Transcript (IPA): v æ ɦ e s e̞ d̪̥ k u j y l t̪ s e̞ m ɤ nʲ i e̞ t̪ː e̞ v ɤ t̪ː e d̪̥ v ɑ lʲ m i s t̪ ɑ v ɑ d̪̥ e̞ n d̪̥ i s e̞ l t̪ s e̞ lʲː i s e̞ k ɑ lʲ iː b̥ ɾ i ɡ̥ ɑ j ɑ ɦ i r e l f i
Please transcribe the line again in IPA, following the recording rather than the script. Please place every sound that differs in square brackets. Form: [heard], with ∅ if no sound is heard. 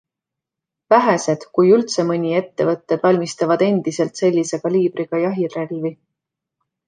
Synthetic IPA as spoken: v æ ɦ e s e̞ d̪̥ k u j y l t̪ s e̞ m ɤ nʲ i e̞ t̪ː e̞ v ɤ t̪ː e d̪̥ v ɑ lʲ m i s t̪ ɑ v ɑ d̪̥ e̞ n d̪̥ i s e̞ l t̪ s e̞ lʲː i s e̞ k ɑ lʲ iː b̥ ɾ i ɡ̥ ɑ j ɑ ɦ i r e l [v] i